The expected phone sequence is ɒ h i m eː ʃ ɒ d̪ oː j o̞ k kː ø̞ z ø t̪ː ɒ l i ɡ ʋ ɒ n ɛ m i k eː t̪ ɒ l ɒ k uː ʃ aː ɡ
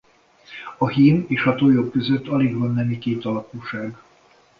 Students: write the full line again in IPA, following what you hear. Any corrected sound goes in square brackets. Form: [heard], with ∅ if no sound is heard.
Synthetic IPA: ɒ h i m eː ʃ ɒ [t̪] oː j o̞ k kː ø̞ z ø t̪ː ɒ l i ɡ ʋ ɒ [nː] ɛ m i k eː t̪ ɒ l ɒ k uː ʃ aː ɡ